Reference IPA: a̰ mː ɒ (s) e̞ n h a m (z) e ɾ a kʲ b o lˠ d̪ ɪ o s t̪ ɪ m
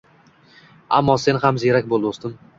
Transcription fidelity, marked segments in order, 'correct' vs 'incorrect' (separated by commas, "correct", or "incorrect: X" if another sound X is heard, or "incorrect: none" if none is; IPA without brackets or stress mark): correct, correct